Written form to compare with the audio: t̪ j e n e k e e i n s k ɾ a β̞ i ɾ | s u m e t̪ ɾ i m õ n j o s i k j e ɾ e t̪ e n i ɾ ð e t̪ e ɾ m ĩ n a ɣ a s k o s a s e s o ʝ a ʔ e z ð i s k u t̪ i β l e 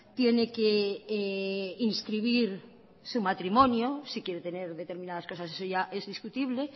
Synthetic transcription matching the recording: t̪ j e n e k e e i n s k ɾ i β̞ i ɾ | s u m a t̪ ɾ i m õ n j o s i k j e ɾ e t̪ e n e ɾ ð e t̪ e ɾ m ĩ n a ð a s k o s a s e s o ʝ a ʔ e z ð i s k u t̪ i β l e